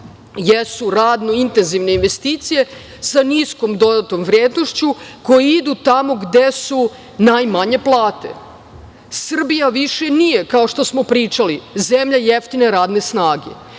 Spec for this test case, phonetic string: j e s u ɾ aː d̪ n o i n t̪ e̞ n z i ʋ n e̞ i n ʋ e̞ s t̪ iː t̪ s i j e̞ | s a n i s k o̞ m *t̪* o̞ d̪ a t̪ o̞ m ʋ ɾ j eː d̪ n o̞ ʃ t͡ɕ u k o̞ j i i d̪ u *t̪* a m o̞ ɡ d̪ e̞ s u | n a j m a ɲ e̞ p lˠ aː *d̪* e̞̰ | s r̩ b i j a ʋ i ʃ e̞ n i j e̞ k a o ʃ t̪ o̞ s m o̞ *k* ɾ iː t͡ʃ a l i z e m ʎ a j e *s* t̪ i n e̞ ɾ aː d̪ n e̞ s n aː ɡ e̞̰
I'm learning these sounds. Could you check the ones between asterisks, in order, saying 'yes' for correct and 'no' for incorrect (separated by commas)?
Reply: no, yes, no, no, no